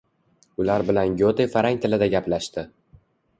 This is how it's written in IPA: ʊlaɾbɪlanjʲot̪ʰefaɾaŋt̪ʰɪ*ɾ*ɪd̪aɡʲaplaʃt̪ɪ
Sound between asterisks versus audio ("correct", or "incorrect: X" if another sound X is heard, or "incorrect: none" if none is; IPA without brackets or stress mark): incorrect: l